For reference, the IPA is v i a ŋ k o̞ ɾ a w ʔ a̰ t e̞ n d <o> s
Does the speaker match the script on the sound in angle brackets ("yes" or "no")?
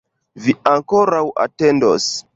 yes